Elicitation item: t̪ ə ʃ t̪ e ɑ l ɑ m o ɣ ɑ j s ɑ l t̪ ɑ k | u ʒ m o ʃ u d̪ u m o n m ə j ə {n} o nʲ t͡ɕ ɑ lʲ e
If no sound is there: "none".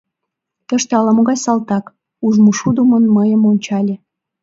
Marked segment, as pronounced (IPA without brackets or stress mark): m